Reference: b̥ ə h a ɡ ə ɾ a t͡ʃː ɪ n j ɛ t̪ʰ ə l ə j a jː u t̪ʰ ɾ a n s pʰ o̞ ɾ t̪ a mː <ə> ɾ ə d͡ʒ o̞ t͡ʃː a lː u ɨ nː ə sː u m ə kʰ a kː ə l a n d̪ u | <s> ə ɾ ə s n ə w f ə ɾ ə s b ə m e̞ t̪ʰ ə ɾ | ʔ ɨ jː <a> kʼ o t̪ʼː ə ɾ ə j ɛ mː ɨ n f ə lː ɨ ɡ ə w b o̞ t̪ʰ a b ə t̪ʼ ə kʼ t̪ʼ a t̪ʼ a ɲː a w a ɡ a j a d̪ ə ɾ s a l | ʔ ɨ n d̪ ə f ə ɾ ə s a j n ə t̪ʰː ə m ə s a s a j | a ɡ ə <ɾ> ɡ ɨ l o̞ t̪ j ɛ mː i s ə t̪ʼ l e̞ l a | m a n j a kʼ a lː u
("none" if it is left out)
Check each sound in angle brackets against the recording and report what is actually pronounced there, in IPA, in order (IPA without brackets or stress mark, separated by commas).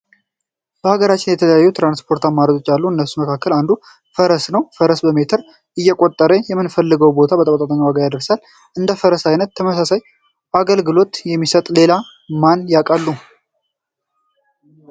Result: a, f, ɛ, l